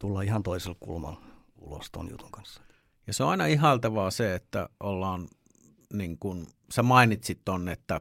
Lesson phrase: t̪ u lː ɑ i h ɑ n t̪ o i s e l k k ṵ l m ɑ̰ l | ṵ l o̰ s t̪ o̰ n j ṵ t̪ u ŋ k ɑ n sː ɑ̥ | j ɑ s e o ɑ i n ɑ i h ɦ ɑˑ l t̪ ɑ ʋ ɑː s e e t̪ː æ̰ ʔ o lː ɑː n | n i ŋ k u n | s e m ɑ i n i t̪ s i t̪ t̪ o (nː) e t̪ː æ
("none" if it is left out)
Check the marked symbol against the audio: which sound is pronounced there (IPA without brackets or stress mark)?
nː